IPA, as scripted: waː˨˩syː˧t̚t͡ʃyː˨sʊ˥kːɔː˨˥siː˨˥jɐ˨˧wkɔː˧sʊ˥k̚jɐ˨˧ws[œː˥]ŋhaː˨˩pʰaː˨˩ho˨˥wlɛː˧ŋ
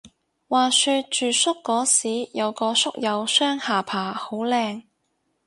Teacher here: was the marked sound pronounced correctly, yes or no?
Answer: yes